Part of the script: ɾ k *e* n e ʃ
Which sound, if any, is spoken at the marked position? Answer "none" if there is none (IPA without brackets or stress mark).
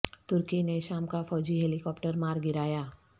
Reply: i